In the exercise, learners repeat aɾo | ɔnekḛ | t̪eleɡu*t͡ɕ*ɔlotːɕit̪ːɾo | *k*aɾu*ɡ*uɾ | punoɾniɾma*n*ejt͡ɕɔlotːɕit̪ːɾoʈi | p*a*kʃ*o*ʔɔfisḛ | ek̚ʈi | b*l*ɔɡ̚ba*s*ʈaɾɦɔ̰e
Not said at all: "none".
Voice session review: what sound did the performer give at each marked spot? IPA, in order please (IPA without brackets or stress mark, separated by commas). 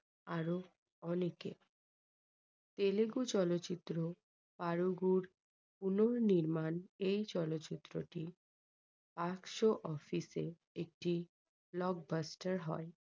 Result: t͡ɕ, p, ɡ, n, a, o, l, s